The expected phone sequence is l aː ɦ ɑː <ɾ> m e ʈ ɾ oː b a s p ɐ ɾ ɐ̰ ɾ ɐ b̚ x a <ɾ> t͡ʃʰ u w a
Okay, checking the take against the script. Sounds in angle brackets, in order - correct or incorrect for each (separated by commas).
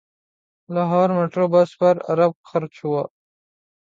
correct, correct